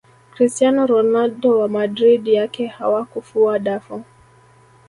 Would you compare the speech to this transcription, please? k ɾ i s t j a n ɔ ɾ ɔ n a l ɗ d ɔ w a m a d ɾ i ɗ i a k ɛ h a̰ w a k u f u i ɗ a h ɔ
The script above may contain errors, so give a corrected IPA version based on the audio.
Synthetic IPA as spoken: k ɾ i s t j a n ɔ ɾ ɔ n a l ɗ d ɔ w a m a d ɾ i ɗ j a k ɛ h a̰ w a k u f u a ɗ a f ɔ